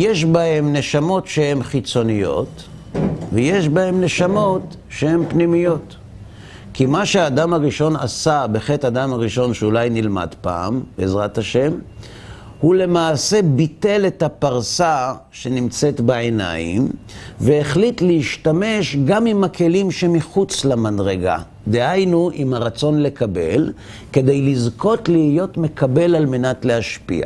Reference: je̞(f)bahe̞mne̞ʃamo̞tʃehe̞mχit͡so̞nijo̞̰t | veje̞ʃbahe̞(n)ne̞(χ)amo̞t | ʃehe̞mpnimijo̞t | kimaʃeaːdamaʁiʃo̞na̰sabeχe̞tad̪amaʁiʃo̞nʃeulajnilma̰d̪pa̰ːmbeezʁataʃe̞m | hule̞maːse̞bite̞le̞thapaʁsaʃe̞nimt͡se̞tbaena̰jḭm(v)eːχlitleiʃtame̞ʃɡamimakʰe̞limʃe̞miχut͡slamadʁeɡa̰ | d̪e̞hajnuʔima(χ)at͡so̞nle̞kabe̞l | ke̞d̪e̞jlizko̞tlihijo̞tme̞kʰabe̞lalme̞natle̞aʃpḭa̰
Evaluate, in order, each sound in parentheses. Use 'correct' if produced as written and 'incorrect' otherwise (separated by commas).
incorrect, incorrect, incorrect, correct, incorrect